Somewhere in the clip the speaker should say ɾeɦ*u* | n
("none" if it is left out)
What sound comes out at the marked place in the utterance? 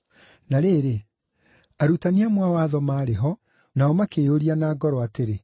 ɔ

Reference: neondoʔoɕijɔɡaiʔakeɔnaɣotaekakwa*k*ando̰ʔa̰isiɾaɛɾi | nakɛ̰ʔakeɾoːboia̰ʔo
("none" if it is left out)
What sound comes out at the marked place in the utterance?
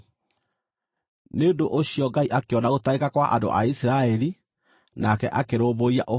ʔ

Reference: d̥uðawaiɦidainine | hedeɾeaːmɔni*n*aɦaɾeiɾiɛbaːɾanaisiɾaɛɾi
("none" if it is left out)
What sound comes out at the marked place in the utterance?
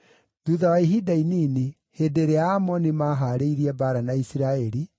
m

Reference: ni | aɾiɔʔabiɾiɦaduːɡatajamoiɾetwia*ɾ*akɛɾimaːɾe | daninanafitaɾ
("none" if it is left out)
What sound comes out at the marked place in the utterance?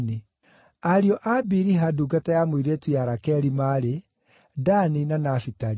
ɾ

